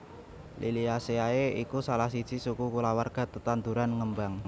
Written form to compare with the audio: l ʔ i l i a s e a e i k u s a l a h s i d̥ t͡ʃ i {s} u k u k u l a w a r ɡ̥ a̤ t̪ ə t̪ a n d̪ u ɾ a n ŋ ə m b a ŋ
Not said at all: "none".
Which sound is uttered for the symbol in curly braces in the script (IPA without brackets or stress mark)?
s